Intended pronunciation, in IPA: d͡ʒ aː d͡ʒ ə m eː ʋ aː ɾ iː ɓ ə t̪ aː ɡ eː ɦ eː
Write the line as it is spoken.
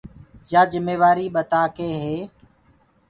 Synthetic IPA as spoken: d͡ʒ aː d͡ʒ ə m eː ʋ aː ɾ iː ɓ ə t̪ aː k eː ɦ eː